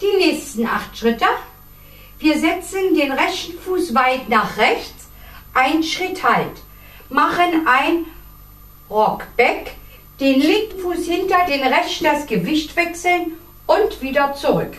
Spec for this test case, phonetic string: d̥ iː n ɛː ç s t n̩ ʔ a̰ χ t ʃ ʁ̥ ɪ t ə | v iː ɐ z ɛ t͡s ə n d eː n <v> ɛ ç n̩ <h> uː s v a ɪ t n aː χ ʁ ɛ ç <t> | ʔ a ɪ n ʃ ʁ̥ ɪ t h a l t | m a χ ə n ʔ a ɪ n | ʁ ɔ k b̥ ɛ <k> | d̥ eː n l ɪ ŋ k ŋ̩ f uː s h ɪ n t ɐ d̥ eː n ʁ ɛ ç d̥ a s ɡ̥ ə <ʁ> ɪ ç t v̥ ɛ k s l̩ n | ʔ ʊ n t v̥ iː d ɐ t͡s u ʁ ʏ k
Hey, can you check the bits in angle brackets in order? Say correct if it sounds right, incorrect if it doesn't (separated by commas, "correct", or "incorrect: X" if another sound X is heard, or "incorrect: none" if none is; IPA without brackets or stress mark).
incorrect: ʁ, incorrect: f, incorrect: t͡s, correct, incorrect: v